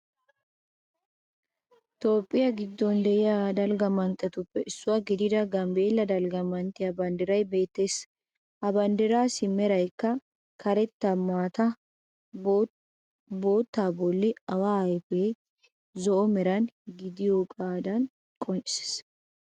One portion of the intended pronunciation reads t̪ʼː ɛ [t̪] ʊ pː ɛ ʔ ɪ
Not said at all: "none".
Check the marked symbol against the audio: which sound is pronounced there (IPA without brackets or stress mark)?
t̪